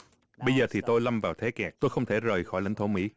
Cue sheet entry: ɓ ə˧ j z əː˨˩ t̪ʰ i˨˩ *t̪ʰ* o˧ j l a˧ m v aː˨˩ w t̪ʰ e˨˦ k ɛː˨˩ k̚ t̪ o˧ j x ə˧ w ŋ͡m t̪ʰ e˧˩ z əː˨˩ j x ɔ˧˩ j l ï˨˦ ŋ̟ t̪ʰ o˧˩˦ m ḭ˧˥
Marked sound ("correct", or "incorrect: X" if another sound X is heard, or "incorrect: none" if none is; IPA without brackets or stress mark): incorrect: t̪